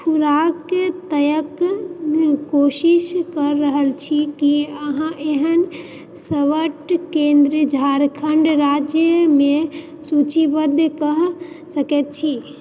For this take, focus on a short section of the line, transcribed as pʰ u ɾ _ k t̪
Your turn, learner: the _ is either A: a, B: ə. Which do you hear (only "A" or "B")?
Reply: A